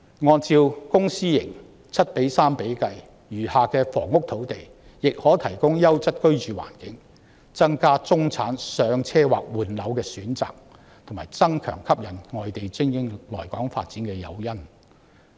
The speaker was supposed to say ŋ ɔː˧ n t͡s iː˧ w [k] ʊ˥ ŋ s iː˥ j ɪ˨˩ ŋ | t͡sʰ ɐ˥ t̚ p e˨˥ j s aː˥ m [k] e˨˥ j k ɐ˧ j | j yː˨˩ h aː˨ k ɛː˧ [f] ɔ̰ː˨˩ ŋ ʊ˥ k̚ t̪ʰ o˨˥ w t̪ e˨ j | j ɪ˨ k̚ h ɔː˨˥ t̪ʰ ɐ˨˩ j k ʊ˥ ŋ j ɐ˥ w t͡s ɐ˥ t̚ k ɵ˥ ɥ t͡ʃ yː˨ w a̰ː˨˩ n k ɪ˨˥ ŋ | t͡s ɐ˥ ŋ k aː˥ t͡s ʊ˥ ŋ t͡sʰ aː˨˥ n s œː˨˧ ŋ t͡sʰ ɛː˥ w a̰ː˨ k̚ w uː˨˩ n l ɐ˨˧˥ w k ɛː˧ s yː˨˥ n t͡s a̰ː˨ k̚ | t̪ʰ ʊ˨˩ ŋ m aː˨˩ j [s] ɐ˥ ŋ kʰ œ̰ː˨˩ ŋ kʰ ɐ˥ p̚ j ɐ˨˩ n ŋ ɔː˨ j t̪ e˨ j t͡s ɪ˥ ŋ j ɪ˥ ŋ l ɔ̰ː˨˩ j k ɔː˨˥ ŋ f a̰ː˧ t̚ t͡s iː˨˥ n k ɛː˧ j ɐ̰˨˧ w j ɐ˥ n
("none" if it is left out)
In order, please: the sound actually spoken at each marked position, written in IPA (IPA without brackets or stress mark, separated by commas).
k, p, f, t͡s